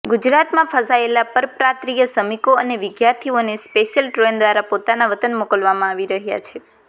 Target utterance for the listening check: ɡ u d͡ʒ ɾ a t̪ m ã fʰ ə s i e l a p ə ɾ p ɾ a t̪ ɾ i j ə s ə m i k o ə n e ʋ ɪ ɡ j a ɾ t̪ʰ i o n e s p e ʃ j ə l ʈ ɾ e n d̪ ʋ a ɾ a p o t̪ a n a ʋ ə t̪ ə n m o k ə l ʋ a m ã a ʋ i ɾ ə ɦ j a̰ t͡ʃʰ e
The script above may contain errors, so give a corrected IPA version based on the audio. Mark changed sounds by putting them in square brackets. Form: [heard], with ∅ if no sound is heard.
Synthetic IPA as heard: ɡ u d͡ʒ ɾ a t̪ m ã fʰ ə s [a] e l a p ə ɾ p ɾ a t̪ ɾ i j ə s ə m i k o ə n e ʋ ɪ ɡ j a ɾ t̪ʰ i o n e s p e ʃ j ə l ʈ ɾ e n d̪ ʋ a ɾ a p o t̪ a n a ʋ ə t̪ ə n m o k ə l ʋ a m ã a ʋ i ɾ ə ɦ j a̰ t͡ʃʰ e